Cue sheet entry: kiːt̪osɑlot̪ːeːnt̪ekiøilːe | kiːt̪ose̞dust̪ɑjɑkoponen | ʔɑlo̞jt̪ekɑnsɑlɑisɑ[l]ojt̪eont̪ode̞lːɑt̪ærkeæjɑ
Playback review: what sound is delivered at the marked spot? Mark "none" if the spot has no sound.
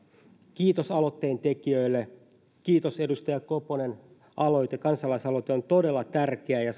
l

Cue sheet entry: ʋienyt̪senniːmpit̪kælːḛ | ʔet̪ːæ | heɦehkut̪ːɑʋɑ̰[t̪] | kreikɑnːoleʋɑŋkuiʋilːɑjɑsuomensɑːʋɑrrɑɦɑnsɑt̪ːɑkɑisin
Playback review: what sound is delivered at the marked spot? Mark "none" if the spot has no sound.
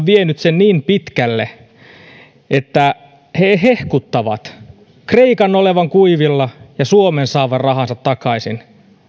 t̪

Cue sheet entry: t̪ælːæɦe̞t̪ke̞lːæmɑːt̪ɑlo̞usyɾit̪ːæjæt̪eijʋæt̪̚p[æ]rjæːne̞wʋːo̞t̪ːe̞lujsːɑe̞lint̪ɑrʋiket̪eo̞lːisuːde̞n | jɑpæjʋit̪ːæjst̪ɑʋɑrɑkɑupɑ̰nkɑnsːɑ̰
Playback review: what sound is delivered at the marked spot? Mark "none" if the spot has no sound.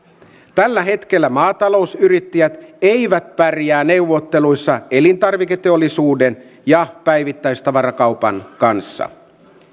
æ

